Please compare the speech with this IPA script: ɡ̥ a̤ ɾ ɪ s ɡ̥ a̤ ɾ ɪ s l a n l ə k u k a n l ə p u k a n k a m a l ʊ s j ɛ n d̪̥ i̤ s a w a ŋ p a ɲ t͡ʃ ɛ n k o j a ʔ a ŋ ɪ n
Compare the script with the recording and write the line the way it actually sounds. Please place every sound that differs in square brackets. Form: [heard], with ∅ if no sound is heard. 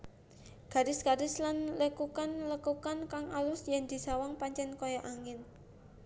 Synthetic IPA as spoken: ɡ̥ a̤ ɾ ɪ s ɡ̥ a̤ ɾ ɪ s l a n l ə k u k a n l ə [k] u k a n k a [ŋ] a l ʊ s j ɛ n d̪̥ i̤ s a w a ŋ p a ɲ t͡ʃ ɛ n k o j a ʔ a ŋ ɪ n